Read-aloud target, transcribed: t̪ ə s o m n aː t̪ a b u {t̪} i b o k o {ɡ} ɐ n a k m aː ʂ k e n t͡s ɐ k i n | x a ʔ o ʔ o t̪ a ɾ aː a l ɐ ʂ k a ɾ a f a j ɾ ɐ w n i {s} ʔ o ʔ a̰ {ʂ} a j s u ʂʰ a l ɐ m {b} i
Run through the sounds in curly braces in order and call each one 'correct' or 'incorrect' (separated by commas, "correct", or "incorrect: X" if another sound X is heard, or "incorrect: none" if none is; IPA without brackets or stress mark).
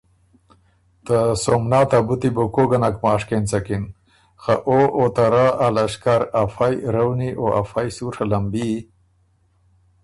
correct, correct, incorrect: none, incorrect: f, correct